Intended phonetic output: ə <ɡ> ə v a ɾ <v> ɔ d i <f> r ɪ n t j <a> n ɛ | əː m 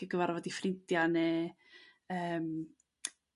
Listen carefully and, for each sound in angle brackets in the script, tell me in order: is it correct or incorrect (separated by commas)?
correct, correct, correct, correct